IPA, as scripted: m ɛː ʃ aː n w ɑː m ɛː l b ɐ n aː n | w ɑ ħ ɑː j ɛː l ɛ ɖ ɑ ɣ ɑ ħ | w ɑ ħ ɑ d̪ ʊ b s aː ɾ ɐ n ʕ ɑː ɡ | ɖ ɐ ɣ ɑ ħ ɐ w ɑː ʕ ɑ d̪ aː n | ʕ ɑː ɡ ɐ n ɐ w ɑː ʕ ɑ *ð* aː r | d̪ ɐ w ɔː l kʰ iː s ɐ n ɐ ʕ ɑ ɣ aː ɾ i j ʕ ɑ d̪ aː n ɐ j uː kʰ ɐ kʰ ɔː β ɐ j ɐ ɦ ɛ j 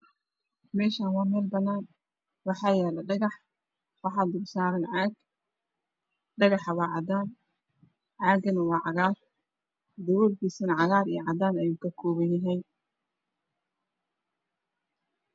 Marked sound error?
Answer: yes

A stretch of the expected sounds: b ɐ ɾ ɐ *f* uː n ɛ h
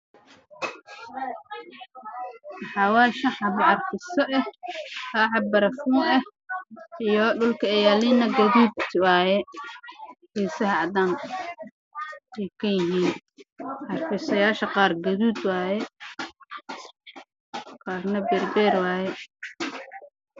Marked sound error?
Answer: no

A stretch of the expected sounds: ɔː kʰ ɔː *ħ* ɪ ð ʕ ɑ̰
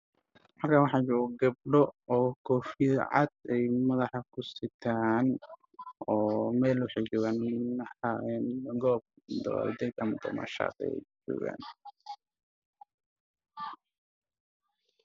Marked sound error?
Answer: yes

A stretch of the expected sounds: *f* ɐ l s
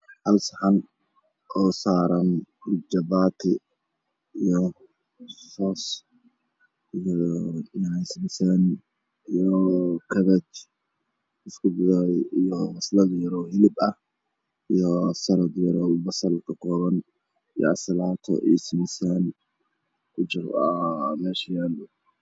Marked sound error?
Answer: yes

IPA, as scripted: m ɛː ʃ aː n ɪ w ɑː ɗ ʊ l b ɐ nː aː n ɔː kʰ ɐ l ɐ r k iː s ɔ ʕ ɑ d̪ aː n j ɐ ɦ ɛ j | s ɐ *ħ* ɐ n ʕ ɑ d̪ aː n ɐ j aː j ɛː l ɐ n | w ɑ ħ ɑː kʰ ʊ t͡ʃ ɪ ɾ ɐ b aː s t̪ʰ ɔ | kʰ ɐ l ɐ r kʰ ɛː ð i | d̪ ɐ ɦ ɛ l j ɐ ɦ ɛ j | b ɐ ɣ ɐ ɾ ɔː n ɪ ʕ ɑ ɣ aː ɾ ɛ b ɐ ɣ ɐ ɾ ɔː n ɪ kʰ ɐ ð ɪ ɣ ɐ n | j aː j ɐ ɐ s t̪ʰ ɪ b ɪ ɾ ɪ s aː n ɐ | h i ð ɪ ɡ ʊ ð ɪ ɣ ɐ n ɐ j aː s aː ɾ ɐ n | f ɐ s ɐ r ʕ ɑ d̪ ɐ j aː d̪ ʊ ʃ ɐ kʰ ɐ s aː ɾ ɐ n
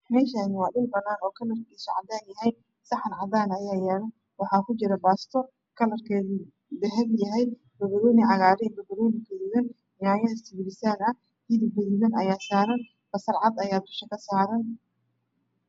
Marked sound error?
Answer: no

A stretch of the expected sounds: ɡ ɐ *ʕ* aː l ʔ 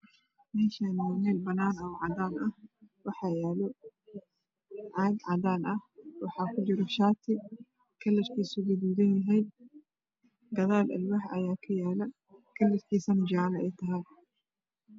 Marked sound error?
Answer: yes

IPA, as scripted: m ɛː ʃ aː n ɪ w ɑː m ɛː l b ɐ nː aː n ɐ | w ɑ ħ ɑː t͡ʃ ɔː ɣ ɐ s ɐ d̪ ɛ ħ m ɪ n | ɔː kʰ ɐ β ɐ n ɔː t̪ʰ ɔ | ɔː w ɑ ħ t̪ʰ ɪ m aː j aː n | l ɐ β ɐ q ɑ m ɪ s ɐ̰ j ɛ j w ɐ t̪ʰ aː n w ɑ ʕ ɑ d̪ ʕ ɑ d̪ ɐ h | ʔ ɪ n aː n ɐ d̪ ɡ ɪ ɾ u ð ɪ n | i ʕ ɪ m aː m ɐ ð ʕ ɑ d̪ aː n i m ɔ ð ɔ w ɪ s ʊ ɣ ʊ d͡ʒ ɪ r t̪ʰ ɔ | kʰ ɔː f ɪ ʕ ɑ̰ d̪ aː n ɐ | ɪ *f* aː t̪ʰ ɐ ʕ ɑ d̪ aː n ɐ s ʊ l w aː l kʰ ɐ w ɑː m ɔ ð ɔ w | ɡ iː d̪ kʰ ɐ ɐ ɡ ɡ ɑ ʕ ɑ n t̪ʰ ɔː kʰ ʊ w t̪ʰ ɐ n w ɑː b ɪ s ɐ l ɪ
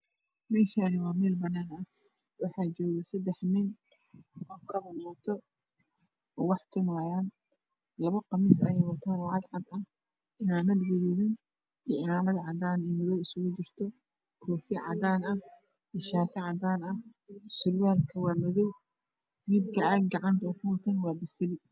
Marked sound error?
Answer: yes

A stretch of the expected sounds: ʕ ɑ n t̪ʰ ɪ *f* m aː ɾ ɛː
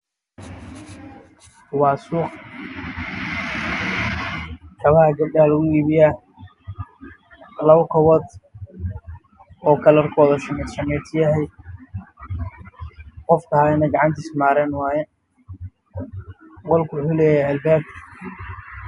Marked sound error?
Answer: yes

